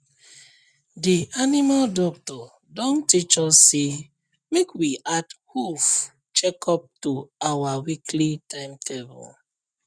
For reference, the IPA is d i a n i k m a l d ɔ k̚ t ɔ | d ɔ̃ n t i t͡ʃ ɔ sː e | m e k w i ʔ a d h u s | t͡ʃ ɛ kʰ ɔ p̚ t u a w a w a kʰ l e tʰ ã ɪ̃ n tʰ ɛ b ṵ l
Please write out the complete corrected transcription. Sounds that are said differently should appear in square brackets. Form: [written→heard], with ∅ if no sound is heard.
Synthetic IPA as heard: d i a n i [k→∅] m a l d ɔ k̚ t ɔ | d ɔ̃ n t i t͡ʃ ɔ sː e | m e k w i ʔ a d h u [s→f] | t͡ʃ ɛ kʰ ɔ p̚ t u a w a w [a→i] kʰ l [e→i] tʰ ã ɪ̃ [n→m] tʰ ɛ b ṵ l